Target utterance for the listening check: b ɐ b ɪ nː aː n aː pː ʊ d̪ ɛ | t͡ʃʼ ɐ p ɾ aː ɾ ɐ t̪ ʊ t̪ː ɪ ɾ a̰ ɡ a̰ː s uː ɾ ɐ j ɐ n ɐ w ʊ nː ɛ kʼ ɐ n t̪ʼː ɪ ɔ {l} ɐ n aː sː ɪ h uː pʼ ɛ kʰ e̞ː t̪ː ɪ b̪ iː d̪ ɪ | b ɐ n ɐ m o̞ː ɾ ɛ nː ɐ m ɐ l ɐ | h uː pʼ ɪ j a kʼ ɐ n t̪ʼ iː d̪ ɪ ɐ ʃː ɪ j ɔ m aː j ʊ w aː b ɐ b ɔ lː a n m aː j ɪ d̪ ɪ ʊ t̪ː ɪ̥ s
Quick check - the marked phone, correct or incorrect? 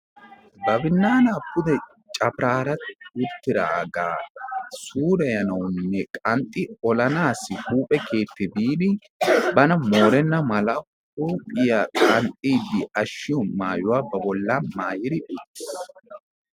correct